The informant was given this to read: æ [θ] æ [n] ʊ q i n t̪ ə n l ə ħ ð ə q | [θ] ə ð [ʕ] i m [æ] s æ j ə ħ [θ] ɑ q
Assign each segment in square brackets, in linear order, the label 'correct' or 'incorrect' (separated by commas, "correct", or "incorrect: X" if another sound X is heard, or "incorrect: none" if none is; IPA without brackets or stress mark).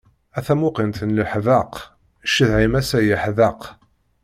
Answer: correct, incorrect: m, incorrect: ʃ, correct, correct, incorrect: ð